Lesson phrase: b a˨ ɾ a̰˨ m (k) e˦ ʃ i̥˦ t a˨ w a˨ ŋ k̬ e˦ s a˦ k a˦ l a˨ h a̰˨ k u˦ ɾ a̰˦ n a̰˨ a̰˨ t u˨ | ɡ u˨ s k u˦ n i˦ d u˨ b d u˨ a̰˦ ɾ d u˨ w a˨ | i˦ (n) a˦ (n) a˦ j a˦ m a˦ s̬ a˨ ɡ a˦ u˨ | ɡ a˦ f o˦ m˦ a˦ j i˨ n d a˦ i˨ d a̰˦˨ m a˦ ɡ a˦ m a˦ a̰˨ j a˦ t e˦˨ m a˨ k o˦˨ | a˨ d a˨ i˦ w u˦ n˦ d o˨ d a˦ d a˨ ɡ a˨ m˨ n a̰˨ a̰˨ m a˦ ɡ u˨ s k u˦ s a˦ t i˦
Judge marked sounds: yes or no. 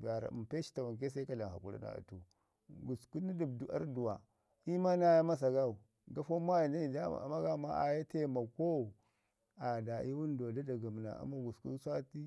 no, no, yes

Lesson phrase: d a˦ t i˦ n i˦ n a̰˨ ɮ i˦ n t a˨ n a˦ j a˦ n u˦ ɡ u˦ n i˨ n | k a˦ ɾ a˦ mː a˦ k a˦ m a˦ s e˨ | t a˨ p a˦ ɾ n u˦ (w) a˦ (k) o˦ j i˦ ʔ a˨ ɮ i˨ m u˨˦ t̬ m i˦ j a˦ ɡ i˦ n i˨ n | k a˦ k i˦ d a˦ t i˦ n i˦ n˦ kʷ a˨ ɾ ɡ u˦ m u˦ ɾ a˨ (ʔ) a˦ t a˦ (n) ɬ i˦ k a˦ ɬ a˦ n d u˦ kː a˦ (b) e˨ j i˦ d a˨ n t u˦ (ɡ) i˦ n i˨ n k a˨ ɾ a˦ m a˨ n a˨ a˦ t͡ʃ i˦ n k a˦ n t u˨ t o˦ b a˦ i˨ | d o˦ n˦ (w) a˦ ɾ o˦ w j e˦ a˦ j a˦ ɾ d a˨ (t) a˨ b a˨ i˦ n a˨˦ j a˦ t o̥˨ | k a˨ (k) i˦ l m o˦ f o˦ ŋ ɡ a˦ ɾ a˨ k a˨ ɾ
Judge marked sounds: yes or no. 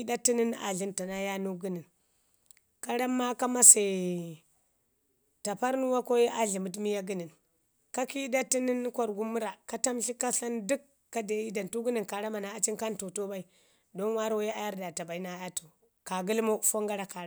yes, yes, no, no, no, yes, yes, yes, no

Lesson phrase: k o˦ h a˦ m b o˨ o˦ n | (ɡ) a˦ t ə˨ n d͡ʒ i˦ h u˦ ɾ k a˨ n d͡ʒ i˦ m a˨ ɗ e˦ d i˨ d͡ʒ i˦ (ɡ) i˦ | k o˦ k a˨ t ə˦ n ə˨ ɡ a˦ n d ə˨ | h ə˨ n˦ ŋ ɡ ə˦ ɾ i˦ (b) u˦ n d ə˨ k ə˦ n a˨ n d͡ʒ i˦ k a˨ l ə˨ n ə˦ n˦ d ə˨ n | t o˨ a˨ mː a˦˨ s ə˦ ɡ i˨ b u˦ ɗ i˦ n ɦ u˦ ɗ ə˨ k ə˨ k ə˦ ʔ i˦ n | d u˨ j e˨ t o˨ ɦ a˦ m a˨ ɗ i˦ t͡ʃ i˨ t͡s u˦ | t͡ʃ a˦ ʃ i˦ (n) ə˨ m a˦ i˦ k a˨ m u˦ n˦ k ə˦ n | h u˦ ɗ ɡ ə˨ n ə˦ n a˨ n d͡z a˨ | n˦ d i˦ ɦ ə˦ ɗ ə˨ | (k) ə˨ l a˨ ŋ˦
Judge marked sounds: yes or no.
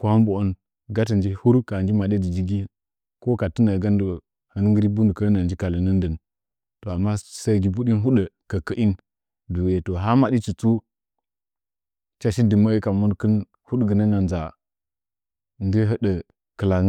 yes, yes, yes, no, yes

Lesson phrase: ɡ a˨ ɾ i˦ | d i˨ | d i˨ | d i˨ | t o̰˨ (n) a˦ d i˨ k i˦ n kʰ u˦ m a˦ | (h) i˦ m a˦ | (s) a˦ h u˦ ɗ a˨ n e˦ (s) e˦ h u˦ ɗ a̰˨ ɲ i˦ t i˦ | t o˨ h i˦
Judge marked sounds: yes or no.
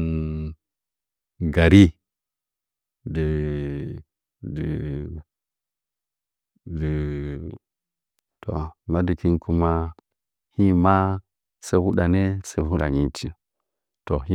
no, yes, yes, yes

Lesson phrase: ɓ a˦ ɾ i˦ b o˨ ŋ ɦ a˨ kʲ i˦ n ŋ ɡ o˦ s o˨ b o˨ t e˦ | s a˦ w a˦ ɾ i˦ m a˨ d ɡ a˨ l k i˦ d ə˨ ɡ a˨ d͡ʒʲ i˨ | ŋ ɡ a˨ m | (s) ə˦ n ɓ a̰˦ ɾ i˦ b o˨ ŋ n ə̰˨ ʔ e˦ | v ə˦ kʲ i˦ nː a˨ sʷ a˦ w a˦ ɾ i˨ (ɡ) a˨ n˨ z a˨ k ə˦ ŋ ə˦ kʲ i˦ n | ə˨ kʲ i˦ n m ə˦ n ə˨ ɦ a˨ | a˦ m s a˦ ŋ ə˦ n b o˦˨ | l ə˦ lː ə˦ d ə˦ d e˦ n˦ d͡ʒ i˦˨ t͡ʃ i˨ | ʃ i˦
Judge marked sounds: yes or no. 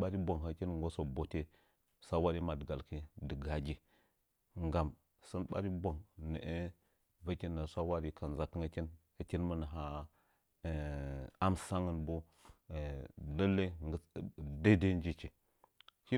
yes, no

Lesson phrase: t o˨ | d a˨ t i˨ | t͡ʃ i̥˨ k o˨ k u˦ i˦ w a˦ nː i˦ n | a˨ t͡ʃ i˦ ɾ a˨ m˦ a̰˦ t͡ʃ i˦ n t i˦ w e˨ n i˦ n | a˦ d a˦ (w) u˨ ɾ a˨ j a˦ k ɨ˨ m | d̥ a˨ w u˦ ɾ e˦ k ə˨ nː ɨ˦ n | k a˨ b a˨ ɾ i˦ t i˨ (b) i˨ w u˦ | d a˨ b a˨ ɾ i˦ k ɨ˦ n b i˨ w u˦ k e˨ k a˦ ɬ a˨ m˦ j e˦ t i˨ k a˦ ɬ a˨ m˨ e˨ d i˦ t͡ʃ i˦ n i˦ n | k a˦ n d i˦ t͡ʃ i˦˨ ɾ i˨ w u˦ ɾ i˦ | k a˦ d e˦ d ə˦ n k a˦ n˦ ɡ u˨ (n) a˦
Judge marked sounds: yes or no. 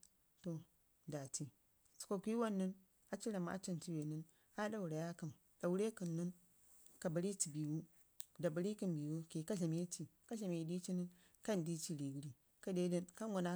yes, yes, yes

